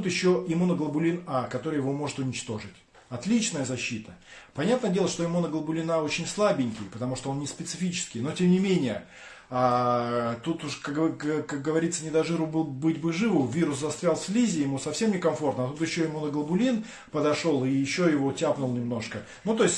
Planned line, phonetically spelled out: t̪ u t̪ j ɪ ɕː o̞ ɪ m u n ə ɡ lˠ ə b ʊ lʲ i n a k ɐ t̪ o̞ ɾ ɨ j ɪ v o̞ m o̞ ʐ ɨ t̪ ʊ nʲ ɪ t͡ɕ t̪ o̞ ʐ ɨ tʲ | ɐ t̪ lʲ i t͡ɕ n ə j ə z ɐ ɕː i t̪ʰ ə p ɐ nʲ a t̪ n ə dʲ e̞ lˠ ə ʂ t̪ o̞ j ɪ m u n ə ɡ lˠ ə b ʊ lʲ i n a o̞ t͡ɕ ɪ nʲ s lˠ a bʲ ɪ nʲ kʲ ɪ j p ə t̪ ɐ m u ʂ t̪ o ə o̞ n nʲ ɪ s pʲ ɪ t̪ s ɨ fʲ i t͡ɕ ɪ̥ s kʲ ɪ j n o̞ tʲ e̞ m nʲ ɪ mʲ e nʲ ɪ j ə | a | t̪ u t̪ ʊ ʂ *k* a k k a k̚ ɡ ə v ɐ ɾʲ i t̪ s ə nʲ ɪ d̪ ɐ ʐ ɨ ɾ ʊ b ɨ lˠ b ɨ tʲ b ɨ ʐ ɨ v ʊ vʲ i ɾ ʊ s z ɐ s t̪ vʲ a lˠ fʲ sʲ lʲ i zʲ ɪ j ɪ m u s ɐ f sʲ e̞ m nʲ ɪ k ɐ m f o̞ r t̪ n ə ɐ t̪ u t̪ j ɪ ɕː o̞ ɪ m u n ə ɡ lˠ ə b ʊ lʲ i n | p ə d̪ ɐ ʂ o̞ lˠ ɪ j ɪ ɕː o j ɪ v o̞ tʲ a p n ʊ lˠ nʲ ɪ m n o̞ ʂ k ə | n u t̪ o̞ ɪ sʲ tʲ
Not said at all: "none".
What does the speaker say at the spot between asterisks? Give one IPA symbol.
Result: k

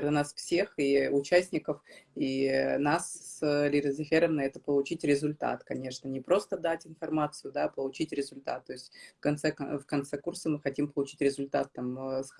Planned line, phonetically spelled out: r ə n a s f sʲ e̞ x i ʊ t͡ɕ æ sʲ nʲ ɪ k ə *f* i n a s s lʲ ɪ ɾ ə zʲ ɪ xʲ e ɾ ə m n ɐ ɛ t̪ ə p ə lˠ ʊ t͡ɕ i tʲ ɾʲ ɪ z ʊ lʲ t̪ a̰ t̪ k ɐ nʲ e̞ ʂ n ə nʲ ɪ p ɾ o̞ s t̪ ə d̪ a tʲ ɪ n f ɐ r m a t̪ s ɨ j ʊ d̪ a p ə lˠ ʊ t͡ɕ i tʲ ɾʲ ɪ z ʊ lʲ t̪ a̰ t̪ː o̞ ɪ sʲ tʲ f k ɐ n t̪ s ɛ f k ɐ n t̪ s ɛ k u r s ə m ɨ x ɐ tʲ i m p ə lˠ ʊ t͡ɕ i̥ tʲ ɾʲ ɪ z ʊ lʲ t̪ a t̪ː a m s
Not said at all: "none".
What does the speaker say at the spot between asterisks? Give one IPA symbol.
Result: f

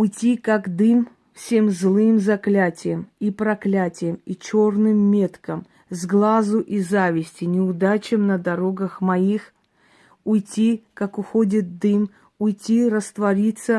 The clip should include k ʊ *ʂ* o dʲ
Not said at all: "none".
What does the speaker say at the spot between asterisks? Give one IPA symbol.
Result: x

